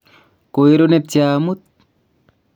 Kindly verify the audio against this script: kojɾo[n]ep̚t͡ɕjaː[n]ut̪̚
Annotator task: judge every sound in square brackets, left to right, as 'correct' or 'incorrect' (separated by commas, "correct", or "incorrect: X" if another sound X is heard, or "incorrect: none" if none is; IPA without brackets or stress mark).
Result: correct, incorrect: m